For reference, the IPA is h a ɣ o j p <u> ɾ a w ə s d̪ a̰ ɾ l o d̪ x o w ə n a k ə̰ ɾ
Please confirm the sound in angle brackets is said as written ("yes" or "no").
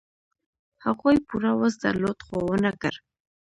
yes